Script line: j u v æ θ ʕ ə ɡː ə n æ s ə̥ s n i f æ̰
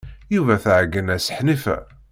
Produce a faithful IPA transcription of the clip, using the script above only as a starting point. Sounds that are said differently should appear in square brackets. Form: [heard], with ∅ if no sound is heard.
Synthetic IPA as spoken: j u v æ θ ʕ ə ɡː ə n æ s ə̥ [ħ] n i f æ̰